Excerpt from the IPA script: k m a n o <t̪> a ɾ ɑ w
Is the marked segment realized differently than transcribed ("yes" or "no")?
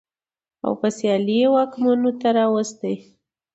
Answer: no